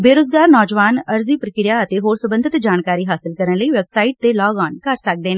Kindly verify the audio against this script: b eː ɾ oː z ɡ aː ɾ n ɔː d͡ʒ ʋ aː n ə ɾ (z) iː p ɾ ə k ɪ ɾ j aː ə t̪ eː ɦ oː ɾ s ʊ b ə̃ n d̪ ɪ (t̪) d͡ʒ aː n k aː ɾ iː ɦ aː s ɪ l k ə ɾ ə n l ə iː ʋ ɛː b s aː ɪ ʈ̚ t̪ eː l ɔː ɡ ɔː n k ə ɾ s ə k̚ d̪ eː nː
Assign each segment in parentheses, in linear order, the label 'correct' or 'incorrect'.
correct, correct

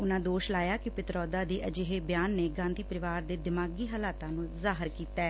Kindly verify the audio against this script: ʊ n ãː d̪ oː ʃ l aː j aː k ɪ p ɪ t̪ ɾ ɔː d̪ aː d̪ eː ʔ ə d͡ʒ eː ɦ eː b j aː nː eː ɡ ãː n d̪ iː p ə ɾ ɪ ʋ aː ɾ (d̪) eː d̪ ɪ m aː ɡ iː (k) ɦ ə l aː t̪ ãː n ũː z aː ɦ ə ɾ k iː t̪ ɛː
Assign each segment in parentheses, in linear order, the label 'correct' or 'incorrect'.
correct, incorrect

